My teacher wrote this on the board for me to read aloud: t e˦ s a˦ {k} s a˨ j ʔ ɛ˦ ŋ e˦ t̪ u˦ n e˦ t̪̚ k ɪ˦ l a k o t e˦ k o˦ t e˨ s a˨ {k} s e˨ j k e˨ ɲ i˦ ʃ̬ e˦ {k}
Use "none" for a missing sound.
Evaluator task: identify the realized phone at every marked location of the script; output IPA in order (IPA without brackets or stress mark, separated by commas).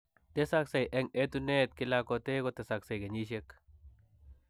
k, k, k